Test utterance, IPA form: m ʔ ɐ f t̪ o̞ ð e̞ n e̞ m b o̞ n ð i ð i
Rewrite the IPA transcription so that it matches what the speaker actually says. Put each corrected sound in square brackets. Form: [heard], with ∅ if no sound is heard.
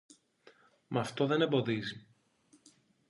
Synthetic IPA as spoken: m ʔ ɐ f t̪ o̞ ð e̞ n e̞ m b o̞ [∅] ð i [z] i